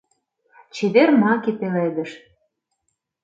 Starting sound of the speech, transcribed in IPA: t͡ɕ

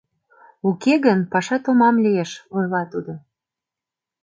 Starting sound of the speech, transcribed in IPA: u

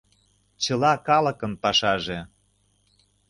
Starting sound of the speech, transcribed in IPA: t͡ɕ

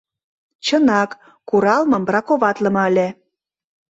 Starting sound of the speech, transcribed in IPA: t͡ɕ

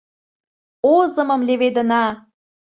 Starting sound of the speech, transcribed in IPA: o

